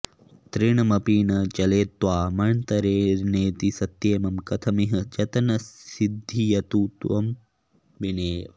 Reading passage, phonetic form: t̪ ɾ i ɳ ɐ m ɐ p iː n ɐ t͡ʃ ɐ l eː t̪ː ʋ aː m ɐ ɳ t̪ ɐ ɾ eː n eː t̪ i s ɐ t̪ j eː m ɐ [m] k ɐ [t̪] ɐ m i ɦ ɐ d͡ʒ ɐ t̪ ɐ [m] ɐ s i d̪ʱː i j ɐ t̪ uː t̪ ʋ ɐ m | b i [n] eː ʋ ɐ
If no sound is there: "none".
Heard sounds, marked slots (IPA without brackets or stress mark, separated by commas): m, t̪ʰ, n, n